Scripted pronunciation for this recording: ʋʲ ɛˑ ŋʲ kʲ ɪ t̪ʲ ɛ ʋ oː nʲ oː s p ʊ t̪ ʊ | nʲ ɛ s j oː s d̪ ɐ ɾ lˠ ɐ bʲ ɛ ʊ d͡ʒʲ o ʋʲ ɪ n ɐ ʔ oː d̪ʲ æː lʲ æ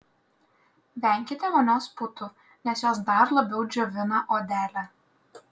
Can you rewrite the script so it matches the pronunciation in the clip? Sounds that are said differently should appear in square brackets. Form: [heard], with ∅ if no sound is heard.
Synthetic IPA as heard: ʋʲ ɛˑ ŋʲ kʲ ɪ t̪ʲ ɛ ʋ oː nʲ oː s p ʊ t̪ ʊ | nʲ ɛ s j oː s d̪ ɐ ɾ lˠ ɐ bʲ ɛ ʊ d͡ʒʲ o ʋʲ ɪ n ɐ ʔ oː d̪ʲ æː lʲ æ